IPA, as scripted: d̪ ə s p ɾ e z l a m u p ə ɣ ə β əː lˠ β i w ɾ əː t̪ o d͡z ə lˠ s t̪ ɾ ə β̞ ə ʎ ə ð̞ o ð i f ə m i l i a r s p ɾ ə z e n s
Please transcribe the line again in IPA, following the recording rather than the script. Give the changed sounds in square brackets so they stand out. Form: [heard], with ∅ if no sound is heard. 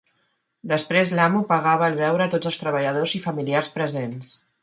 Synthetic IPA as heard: d̪ ə s p ɾ e z l a m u p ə ɣ [a] β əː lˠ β [ɛ] w ɾ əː t̪ o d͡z ə lˠ s t̪ ɾ ə β̞ ə ʎ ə ð̞ o [z] i f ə m i l i a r s p ɾ ə z e n s